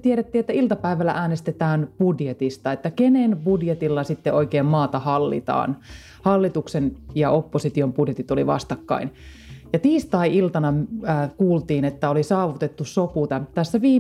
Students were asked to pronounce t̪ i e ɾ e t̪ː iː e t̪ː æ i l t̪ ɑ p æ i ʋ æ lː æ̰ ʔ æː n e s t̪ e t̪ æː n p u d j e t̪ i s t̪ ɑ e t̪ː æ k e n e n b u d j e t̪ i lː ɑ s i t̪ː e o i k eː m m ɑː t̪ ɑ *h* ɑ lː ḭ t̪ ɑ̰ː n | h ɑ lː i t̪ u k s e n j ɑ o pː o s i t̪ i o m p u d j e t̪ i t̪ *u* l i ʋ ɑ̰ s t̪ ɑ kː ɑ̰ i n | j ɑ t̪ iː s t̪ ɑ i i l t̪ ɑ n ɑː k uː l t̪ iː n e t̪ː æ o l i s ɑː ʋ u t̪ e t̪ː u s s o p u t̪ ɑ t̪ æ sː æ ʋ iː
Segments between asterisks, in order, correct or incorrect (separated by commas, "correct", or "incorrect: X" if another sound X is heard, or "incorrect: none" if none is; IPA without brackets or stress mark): correct, incorrect: o